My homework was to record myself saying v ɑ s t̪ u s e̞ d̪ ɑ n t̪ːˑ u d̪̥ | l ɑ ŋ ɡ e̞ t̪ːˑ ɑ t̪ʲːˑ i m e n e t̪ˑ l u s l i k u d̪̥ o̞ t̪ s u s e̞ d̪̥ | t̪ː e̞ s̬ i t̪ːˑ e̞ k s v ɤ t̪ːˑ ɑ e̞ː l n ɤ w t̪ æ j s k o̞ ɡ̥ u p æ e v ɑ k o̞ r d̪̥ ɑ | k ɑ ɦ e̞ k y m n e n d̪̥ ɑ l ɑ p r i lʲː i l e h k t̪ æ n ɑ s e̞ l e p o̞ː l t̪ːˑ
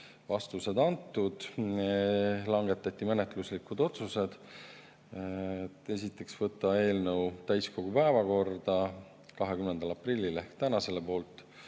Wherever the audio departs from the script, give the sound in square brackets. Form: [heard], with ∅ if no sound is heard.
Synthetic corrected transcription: v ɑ s t̪ u s e̞ d̪ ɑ n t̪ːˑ u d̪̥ | l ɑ ŋ ɡ e̞ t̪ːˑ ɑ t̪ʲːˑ i m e n e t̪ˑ l u s l i k u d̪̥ o̞ t̪ s u s e̞ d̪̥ | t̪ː e̞ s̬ i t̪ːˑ e̞ k s v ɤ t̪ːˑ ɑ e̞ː l n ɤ w t̪ æ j s k o̞ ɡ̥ u p æ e v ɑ k o̞ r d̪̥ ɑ | k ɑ ɦ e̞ k y m n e n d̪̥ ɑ l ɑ p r i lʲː i l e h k t̪ æ n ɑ s e̞ l e p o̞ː l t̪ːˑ